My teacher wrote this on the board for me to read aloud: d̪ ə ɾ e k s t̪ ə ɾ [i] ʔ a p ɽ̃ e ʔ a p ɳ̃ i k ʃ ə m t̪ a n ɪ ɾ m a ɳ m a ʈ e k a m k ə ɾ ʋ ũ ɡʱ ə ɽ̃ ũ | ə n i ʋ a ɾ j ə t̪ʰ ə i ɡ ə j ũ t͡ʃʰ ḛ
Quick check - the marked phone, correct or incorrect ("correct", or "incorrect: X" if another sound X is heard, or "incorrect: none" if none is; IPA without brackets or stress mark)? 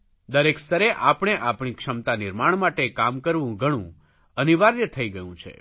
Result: incorrect: e